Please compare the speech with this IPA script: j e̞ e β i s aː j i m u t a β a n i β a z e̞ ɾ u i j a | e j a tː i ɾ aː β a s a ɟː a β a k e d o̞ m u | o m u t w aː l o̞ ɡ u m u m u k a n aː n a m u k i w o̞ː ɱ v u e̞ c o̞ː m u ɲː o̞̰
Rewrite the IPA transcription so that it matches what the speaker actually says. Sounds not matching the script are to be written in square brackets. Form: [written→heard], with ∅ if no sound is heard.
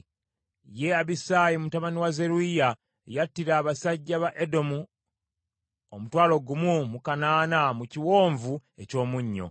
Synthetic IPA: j e̞ [e→a] β i s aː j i m u t a β a n i [β→w] a z e̞ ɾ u i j a | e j a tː i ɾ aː β a s a ɟː a β a [k→ʔ] e d o̞ m u | o m u t w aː l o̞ ɡ u m u m u k a n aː n a m u [k→c] i w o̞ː ɱ v u e̞ c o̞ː m u ɲː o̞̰